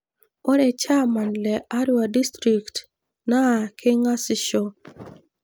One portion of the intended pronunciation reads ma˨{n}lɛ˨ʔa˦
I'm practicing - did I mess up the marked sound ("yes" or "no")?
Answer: no